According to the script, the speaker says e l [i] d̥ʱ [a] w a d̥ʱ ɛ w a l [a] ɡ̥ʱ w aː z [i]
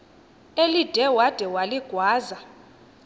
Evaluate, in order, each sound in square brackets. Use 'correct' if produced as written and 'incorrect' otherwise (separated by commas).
correct, incorrect, incorrect, incorrect